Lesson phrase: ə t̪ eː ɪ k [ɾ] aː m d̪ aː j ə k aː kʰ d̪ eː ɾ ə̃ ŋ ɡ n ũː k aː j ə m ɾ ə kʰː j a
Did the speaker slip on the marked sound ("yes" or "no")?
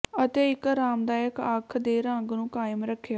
no